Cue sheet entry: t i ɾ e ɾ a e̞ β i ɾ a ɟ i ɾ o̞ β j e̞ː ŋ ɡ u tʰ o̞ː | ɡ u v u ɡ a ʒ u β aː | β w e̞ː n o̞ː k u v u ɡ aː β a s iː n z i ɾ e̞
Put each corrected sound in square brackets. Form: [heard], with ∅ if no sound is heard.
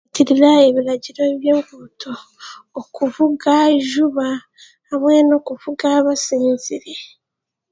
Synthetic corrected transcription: t i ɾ [i] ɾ a e̞ β i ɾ a ɟ i ɾ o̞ β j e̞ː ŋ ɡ u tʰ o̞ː | [k] u v u ɡ a ʒ u β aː | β w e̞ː n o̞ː k u v u ɡ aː β a s iː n z i ɾ e̞